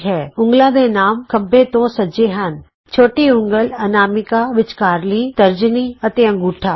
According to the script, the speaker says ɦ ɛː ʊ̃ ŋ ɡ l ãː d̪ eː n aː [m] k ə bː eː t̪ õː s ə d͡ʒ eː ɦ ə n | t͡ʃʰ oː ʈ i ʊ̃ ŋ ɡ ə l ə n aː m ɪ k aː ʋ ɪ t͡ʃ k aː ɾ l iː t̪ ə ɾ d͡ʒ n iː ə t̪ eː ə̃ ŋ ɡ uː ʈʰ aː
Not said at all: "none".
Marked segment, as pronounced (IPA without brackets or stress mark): m